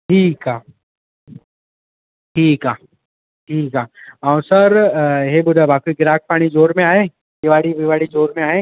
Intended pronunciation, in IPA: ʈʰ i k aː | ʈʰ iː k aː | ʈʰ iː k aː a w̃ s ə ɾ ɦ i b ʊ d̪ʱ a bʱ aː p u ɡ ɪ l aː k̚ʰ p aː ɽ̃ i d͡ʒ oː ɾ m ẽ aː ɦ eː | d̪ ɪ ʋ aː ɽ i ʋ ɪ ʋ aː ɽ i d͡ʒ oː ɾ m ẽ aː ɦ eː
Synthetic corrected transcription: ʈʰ iː k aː | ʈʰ iː k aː | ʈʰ iː k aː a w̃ s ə ɾ ɦ e b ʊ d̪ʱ a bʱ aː k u ɡ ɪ ɾ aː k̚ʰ p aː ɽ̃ i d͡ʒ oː ɾ m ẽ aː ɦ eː | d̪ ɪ ʋ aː ɽ i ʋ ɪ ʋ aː ɽ i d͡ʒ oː ɾ m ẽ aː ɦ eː